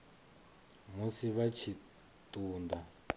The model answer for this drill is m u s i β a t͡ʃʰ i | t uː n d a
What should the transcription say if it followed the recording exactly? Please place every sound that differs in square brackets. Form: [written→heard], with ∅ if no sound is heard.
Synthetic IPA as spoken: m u s i β a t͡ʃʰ i | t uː n d a